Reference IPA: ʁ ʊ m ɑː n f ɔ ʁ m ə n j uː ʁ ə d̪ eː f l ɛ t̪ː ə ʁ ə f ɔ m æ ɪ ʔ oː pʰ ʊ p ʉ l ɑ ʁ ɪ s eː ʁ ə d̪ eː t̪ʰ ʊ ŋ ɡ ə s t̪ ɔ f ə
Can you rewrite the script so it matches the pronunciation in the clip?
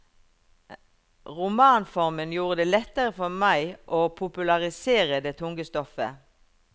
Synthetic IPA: ʁ ʊ m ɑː n f ɔ ʁ m ə n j uː ʁ ə d̪ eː l ɛ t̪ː ə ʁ ə f ɔ m æ ɪ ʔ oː pʰ ʊ p ʉ l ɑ ʁ ɪ s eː ʁ ə d̪ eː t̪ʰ ʊ ŋ ɡ ə s t̪ ɔ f ə